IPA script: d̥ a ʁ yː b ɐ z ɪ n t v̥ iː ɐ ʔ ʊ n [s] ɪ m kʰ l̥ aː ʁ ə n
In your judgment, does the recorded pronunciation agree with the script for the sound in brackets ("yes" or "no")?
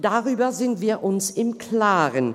yes